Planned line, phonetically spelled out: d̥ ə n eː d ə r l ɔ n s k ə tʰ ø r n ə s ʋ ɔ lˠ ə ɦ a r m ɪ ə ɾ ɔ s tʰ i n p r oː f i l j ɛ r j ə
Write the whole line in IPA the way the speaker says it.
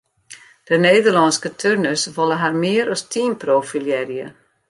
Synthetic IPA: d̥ ə n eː d ə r l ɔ n s k ə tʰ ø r n ə s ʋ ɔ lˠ ə ɦ a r m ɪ ə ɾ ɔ s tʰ i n p r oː f i l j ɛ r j ə